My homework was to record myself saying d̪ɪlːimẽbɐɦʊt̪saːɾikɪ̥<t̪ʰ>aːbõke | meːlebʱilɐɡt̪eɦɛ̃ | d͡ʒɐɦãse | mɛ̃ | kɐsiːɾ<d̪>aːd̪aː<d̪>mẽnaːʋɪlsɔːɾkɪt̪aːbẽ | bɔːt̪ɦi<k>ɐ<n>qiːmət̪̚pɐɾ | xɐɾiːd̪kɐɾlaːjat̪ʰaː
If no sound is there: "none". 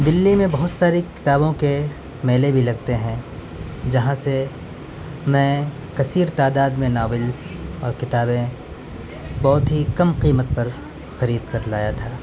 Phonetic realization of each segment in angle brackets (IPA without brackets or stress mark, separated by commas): t̪, t̪, d̪, k, m